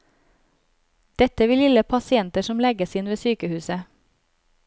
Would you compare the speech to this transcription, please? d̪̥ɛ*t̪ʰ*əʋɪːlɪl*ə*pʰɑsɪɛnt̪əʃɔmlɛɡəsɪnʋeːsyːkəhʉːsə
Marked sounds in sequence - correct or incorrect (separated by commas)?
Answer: incorrect, correct